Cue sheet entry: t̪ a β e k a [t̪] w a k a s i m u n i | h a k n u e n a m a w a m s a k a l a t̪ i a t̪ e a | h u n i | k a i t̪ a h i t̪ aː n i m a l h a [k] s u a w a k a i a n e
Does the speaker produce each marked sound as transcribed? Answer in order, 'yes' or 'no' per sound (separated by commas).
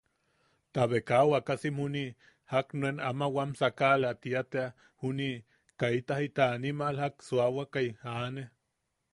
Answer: no, yes